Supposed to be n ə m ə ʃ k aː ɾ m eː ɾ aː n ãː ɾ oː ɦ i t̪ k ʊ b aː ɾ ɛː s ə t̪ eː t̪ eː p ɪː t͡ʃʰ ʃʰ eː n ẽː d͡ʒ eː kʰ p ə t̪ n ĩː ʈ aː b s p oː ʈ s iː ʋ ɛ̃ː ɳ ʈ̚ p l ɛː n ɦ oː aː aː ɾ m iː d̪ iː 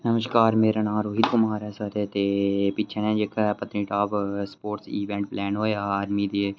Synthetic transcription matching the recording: n ə m ə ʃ k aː ɾ m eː ɾ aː n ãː ɾ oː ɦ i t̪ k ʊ m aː ɾ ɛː s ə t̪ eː t̪ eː p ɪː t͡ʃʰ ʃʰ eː n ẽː d͡ʒ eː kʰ p ə t̪ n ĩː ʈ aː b s p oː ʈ s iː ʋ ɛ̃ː ɳ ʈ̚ p l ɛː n ɦ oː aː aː ɾ m iː d̪ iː